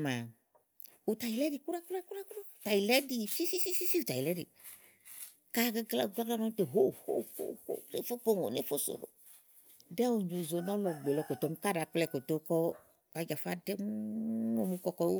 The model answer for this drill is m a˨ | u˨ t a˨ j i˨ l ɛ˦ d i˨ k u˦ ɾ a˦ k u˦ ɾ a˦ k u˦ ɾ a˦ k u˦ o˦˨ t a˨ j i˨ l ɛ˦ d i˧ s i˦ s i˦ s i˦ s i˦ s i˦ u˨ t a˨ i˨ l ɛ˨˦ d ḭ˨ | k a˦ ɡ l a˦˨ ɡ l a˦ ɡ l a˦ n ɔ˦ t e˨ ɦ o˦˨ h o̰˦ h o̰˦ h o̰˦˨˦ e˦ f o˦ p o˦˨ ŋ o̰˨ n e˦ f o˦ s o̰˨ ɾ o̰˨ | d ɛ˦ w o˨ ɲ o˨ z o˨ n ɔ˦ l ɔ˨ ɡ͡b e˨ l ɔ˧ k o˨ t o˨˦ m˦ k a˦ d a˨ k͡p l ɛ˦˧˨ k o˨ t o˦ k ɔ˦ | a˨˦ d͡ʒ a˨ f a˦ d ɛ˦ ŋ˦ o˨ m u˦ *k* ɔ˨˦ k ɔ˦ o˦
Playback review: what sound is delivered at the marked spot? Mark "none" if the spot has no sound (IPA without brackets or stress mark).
k